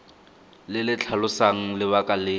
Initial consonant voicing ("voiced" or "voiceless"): voiced